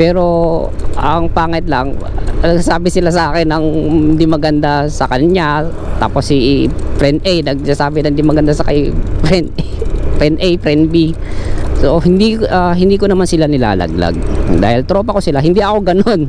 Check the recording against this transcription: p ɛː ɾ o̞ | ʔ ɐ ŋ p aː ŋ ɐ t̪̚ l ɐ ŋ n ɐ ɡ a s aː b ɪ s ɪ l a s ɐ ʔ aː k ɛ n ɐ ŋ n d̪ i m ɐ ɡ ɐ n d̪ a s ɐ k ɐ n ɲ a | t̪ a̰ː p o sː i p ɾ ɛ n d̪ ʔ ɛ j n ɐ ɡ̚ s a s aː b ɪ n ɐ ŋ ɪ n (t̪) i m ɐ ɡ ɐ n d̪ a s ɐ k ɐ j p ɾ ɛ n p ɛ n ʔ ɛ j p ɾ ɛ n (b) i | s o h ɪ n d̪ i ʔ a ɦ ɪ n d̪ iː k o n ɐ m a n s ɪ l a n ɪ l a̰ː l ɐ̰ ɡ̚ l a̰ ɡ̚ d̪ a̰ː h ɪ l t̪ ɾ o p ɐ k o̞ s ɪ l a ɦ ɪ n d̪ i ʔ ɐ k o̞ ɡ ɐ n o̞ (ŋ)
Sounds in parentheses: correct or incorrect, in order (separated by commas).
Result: incorrect, correct, incorrect